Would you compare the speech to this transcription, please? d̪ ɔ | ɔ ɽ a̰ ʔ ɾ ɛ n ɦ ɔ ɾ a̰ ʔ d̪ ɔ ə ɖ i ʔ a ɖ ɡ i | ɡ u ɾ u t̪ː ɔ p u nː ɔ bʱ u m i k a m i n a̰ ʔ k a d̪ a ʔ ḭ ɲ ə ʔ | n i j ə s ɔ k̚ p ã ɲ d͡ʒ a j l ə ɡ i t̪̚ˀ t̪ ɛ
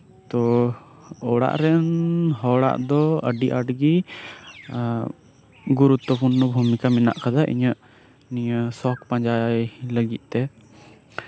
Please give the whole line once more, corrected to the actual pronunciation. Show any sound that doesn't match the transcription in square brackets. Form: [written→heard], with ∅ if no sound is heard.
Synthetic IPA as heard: [d̪→t̪] ɔ | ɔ ɽ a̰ ʔ ɾ ɛ n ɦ ɔ [ɾ→ɽ] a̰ ʔ d̪ ɔ ə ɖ i ʔ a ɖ ɡ i | ɡ u ɾ u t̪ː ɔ p u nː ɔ bʱ u m i k a m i n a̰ ʔ k a d̪ a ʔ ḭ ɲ ə ʔ | n i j ə s ɔ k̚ p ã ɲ d͡ʒ a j l ə ɡ i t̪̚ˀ t̪ ɛ